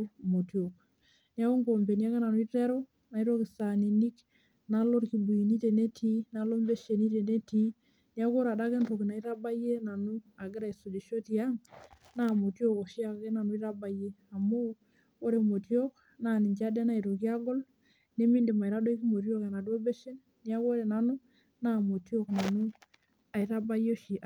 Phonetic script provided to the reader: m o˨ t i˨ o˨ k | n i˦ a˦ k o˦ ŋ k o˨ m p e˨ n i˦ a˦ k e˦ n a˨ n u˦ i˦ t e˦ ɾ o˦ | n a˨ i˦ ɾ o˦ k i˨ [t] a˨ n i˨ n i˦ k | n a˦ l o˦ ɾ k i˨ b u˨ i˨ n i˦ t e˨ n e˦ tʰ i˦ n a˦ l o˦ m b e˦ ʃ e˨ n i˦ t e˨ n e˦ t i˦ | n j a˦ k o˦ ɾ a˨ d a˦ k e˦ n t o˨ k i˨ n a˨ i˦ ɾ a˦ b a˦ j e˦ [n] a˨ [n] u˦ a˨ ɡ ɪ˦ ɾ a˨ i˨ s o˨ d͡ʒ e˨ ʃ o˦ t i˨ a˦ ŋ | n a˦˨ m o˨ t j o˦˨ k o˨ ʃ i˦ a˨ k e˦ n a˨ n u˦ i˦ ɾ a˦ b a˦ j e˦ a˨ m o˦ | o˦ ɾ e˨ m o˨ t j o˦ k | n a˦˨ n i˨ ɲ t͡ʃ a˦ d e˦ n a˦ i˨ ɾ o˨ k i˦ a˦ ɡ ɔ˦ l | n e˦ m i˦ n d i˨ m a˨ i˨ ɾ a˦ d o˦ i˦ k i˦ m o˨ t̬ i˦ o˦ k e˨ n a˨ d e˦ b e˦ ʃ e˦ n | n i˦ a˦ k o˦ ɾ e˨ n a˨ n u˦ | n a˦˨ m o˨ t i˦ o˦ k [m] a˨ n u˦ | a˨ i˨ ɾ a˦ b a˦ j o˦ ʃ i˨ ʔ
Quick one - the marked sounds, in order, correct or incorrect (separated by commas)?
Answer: incorrect, correct, correct, incorrect